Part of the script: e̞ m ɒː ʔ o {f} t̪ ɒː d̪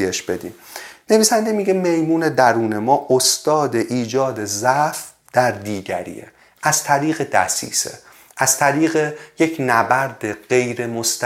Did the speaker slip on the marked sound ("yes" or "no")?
yes